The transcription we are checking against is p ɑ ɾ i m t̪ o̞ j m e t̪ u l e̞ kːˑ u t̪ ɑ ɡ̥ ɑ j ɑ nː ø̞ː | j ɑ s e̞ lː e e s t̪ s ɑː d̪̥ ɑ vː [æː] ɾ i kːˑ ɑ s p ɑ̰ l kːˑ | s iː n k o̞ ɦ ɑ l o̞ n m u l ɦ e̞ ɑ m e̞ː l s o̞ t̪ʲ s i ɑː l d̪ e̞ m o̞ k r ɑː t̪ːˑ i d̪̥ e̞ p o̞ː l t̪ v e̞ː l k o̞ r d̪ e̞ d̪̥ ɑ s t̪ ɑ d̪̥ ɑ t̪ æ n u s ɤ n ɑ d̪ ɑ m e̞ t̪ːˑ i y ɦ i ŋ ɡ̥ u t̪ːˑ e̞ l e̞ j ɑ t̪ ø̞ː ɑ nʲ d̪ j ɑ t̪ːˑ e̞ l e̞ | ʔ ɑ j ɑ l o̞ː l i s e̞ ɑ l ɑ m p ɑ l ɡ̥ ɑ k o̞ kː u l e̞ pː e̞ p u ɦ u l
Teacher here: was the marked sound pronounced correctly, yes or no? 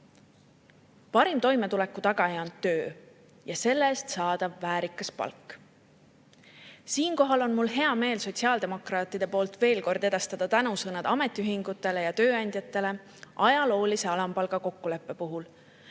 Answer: yes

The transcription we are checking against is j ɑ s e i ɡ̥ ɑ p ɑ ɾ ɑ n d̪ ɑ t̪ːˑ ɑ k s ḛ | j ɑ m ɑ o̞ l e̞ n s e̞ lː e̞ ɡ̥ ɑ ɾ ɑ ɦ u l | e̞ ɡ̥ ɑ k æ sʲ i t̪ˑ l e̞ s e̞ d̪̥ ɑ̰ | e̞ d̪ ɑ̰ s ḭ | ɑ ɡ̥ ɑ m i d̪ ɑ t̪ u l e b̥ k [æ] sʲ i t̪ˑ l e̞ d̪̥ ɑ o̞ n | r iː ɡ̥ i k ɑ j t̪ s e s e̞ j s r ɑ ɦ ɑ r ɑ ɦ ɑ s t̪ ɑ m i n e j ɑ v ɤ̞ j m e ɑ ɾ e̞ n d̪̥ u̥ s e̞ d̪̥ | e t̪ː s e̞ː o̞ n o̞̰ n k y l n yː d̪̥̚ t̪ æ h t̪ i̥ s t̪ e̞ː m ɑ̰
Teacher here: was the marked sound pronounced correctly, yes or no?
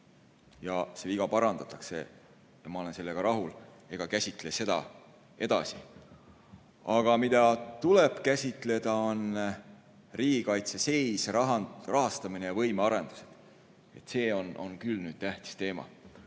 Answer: yes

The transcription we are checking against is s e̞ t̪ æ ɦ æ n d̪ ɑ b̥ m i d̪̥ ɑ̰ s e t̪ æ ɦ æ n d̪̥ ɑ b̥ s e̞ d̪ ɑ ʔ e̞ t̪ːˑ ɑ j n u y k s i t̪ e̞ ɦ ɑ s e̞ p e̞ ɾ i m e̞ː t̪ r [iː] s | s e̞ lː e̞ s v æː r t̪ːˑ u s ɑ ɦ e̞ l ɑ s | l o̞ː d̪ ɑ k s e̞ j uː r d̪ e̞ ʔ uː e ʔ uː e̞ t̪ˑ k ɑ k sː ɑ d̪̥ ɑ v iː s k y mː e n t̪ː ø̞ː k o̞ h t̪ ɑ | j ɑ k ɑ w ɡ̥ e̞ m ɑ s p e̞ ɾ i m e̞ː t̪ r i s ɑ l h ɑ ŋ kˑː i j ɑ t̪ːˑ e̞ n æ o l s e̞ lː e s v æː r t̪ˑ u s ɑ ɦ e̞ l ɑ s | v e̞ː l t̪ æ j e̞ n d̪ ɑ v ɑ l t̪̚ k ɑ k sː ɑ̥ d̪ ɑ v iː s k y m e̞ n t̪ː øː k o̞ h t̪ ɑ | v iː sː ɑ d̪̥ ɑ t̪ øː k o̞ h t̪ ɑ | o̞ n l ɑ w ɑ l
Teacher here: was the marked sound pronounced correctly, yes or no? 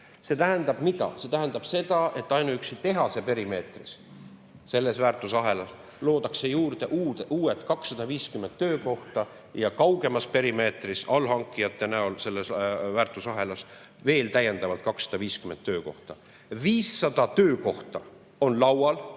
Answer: no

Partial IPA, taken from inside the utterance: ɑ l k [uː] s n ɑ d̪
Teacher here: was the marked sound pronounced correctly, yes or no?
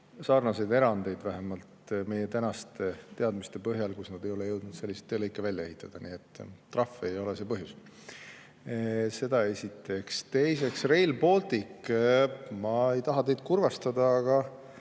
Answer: no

